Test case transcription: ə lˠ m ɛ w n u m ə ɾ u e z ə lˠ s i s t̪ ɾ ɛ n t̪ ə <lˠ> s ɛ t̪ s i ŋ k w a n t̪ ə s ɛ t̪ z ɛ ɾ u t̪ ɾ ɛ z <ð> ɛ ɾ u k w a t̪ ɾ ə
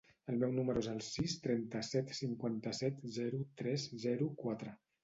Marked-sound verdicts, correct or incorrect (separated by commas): incorrect, incorrect